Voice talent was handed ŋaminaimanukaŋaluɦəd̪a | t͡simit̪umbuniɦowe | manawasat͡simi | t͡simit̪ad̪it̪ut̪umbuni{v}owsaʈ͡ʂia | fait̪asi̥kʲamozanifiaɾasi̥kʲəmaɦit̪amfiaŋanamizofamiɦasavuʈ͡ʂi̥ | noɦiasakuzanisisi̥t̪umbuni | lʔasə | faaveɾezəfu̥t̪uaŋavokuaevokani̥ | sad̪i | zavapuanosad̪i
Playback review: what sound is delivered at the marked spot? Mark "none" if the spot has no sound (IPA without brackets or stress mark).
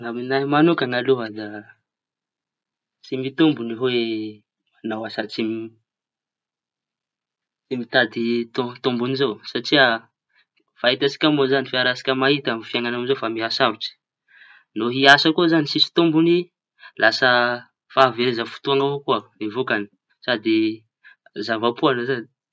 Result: z